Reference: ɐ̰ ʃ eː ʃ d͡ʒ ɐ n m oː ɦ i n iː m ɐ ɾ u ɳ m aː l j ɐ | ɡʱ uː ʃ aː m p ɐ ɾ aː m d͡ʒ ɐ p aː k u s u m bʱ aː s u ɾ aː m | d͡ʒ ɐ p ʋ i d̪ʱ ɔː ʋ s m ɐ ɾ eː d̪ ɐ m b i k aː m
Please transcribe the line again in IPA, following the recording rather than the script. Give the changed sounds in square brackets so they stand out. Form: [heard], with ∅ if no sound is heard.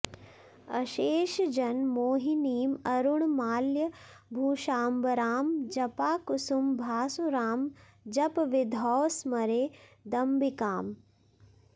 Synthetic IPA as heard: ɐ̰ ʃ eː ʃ d͡ʒ ɐ n m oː ɦ i n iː m ɐ ɾ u ɳ m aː l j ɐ | [bʱ] uː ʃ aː m [b] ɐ ɾ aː m d͡ʒ ɐ p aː k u s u m bʱ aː s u ɾ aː m | d͡ʒ ɐ p ʋ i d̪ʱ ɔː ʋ s m ɐ ɾ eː d̪ ɐ m b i k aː m